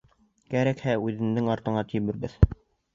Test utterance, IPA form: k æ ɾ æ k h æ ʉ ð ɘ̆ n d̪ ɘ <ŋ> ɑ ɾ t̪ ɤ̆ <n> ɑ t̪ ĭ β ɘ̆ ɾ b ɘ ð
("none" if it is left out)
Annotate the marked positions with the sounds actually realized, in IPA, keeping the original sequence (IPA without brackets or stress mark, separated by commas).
ŋ, ɴ